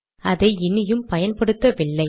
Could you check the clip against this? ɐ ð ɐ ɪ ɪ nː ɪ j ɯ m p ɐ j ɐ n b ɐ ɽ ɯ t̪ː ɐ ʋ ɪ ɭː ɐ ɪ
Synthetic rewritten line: ɐ ð ɐ ɪ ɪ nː ɪ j ɯ m p ɐ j ɐ n p ɐ ɽ ɯ t̪ː ɐ ʋ ɪ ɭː ɐ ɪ